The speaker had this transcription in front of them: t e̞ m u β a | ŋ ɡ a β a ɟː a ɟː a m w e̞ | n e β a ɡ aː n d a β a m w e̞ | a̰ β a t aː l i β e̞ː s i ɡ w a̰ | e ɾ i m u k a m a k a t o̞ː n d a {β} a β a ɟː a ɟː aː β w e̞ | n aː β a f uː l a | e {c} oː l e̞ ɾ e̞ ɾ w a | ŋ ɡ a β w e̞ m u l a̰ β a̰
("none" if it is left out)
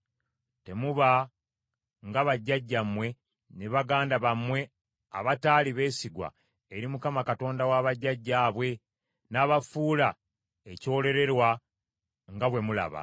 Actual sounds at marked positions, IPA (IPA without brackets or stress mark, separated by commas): w, c